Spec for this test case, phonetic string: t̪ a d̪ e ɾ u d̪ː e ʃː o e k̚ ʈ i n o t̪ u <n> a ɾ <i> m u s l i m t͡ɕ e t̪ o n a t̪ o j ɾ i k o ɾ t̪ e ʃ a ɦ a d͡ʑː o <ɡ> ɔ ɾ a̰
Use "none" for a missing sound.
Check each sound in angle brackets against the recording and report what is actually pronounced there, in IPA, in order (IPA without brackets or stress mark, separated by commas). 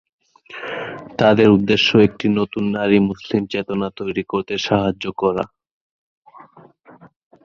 nː, i, k